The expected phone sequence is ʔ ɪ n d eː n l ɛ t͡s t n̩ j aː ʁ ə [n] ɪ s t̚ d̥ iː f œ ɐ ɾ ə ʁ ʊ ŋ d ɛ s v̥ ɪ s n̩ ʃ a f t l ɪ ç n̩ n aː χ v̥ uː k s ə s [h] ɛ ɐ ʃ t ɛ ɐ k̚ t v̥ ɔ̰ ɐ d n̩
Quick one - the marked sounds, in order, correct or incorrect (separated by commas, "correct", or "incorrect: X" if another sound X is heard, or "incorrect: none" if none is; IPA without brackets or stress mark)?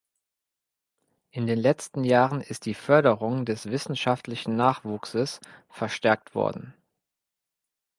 correct, incorrect: f